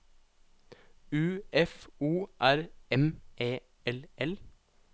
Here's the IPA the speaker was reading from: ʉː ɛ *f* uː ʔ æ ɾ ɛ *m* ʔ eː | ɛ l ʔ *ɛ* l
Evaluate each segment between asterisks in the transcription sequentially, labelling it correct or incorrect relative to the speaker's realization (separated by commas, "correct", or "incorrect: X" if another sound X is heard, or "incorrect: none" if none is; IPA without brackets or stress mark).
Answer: correct, correct, correct